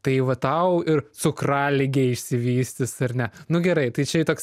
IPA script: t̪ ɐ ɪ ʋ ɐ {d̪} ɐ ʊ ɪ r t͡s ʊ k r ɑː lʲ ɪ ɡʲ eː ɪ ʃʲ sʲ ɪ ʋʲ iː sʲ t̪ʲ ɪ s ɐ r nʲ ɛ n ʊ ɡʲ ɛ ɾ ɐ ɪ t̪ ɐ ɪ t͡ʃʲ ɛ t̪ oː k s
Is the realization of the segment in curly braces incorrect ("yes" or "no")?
yes